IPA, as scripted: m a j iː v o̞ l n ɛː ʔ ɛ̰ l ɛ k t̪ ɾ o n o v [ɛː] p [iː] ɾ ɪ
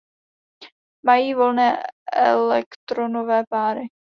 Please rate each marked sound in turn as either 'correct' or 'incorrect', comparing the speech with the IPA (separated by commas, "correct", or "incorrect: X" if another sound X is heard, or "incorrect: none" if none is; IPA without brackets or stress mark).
correct, incorrect: aː